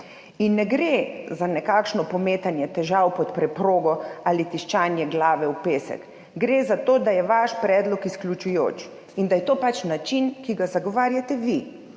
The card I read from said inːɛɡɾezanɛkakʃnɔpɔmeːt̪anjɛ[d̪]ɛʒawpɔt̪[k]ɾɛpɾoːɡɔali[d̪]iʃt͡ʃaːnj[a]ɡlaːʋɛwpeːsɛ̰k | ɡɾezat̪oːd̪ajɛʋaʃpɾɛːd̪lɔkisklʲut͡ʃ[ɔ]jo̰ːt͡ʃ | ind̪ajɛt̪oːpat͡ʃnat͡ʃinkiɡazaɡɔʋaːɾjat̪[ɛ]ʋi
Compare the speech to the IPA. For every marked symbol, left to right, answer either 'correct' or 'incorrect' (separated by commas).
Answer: incorrect, incorrect, incorrect, incorrect, incorrect, correct